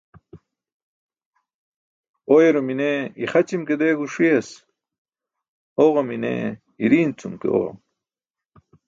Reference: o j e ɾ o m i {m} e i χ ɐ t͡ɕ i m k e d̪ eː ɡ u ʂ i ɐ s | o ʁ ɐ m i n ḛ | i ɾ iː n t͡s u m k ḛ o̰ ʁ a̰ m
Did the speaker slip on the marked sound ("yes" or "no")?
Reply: yes